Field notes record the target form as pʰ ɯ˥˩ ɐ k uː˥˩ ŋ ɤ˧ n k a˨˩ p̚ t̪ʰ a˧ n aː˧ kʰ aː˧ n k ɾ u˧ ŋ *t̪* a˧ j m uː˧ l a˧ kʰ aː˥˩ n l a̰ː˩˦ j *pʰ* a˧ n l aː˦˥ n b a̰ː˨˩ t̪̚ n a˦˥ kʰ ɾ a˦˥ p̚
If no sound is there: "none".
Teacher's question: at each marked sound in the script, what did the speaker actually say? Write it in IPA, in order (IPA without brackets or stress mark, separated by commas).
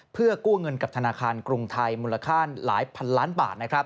t̪ʰ, pʰ